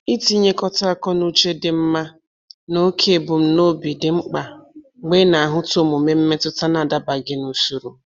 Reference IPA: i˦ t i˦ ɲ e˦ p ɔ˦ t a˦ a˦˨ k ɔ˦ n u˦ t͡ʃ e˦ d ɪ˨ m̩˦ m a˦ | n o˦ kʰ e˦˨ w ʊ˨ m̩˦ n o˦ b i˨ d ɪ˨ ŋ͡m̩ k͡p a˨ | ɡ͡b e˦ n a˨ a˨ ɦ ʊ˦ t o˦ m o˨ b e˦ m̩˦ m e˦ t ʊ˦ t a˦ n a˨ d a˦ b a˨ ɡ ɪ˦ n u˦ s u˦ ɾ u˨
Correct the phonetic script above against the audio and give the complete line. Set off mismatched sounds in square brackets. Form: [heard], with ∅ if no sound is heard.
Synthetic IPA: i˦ t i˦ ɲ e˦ [k] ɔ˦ t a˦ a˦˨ k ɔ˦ n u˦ t͡ʃ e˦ d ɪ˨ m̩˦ m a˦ | n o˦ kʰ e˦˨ [b] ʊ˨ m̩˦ n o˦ b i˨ d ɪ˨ ŋ͡m̩ k͡p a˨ | ɡ͡b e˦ n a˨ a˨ ɦ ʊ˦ t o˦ m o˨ [m] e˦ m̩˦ m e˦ t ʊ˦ t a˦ n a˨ d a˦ b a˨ ɡ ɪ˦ n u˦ s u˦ ɾ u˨